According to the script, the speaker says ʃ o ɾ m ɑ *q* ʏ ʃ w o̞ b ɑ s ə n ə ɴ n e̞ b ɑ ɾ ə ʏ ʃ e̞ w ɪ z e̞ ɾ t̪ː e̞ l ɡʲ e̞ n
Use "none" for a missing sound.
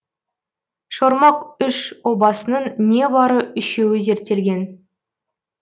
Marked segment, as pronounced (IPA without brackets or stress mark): q